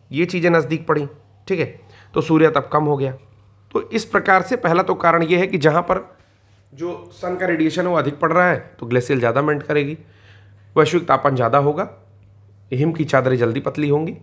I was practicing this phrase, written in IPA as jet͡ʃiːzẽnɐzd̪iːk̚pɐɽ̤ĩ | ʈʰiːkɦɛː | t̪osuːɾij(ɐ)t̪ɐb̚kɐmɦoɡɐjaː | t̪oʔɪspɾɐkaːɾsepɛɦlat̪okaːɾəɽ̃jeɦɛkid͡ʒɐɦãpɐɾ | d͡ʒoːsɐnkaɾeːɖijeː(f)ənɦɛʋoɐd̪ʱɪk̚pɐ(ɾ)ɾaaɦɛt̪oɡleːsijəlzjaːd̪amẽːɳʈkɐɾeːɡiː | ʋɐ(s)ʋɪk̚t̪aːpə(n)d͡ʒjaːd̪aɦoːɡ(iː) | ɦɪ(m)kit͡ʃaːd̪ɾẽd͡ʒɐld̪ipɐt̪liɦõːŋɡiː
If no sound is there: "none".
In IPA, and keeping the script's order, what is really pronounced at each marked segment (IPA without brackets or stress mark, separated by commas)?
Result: a, ʃ, ɽ, ʃ, n, aː, m